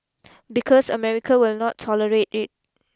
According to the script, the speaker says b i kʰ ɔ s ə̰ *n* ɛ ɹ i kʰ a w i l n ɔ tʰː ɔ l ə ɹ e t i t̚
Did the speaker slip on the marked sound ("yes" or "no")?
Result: yes